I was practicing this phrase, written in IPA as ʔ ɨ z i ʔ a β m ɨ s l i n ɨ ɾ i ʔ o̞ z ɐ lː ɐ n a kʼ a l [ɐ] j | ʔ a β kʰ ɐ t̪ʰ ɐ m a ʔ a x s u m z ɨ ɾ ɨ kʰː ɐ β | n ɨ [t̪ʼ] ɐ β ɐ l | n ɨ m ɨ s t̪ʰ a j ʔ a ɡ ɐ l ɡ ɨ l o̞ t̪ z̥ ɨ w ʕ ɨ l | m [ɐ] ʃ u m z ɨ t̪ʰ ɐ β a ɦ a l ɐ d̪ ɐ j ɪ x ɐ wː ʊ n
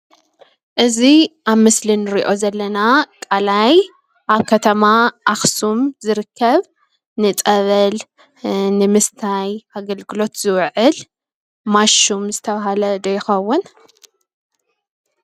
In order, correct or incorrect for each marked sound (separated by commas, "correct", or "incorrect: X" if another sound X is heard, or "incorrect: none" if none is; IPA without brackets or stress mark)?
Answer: incorrect: a, correct, incorrect: a